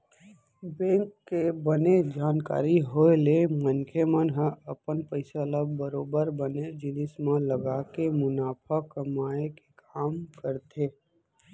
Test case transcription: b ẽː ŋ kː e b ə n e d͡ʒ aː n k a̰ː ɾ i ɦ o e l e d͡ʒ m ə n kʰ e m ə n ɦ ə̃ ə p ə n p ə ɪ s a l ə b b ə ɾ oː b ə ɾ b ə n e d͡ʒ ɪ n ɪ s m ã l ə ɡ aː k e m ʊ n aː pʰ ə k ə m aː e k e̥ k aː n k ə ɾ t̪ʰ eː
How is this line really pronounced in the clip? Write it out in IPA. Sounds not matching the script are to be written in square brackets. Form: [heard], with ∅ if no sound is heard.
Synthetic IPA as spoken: b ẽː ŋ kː e b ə n e d͡ʒ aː n k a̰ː ɾ i ɦ o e l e [∅] m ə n kʰ e m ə n ɦ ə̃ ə p ə n p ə ɪ s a l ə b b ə ɾ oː b ə ɾ b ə n e d͡ʒ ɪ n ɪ s m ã l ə ɡ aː k e m ʊ n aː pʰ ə k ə m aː e k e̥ k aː [m] k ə ɾ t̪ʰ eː